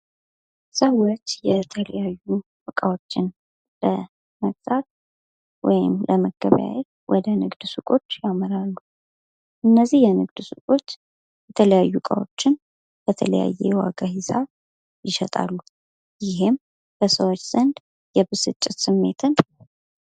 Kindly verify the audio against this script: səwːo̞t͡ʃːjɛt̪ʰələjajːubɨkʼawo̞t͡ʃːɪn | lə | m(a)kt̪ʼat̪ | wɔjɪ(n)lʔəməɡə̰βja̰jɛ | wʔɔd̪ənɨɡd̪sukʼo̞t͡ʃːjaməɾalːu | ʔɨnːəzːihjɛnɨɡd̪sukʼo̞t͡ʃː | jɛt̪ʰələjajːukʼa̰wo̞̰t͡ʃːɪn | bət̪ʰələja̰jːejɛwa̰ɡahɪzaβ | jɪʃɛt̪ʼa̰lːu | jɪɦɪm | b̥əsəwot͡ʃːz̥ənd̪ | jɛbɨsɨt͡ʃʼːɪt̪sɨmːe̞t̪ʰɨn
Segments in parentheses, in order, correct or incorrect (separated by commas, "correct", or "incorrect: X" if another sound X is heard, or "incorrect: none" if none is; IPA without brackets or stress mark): incorrect: ə, incorrect: m